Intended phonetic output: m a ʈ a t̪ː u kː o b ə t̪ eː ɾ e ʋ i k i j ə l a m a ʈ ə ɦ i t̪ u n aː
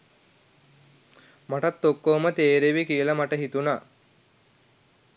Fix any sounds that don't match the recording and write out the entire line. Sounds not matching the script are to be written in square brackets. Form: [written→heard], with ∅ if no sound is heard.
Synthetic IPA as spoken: m a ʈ a t̪ː [u→o] kː o [b→m] ə t̪ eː ɾ e ʋ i k i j ə l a m a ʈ ə ɦ i t̪ u n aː